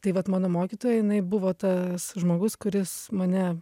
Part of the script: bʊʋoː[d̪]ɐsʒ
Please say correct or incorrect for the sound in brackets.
incorrect